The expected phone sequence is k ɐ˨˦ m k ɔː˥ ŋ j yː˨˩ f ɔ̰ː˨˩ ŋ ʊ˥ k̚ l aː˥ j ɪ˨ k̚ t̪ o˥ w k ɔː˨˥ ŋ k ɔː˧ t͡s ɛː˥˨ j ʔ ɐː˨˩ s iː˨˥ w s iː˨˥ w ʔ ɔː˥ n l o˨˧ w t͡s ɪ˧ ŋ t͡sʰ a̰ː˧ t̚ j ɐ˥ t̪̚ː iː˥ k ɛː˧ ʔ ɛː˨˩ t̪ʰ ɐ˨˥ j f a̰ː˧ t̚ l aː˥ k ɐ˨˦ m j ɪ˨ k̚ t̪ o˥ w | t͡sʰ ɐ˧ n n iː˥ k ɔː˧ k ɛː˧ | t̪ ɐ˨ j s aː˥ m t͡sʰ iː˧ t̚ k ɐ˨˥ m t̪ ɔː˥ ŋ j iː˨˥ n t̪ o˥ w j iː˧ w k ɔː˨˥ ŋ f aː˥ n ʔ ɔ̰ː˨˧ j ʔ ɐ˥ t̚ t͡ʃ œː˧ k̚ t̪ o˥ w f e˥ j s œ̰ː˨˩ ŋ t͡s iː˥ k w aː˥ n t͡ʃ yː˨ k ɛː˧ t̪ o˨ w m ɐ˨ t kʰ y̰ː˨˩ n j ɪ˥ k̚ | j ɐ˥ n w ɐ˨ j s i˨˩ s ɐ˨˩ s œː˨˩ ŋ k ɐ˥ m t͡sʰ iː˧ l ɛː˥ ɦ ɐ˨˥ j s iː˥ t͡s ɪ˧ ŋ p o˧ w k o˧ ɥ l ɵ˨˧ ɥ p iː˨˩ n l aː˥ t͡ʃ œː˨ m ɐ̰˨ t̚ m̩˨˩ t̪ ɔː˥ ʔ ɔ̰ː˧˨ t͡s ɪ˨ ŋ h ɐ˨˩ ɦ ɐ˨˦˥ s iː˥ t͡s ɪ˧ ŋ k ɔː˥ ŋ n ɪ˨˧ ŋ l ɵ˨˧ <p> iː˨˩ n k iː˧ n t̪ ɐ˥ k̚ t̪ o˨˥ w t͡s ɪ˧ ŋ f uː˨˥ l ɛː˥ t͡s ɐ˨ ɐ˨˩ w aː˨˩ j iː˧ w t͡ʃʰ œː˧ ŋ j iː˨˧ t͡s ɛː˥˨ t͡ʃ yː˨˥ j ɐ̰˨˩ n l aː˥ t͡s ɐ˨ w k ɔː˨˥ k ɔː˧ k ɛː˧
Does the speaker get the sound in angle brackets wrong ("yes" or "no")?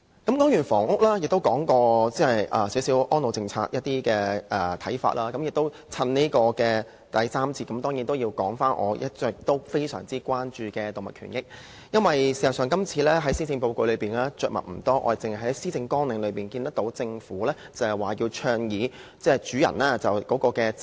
no